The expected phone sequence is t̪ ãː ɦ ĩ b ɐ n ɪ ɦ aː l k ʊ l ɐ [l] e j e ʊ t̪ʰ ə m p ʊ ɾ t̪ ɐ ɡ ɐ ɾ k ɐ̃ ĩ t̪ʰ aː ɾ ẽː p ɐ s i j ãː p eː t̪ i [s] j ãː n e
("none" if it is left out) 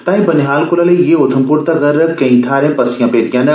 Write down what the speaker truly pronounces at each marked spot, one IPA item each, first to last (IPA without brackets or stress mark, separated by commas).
l, none